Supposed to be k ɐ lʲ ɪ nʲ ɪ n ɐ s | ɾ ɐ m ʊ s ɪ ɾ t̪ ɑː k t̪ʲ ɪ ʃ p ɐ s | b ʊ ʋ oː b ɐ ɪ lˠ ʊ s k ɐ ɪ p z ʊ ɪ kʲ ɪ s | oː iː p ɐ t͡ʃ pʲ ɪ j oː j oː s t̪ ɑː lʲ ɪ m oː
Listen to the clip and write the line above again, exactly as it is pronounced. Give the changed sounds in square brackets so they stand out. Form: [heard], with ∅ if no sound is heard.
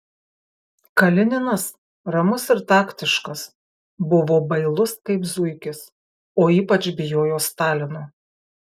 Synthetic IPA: k ɐ lʲ ɪ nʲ ɪ n ɐ s | ɾ ɐ m ʊ s ɪ ɾ t̪ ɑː k t̪ʲ ɪ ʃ [k] ɐ s | b ʊ ʋ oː b ɐ ɪ lˠ ʊ s k ɐ ɪ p z ʊ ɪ kʲ ɪ s | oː iː p ɐ t͡ʃ [bʲ] ɪ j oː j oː s t̪ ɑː lʲ ɪ [n] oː